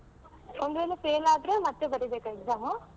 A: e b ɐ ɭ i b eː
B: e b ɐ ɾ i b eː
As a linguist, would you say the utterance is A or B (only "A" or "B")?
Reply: B